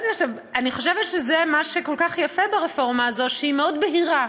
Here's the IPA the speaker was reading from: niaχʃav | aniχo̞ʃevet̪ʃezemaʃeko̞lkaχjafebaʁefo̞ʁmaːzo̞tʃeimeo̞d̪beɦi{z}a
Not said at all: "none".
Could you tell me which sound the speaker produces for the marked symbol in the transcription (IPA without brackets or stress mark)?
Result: ʁ